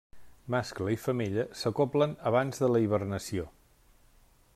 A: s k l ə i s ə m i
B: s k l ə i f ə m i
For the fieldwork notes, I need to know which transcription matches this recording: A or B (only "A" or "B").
B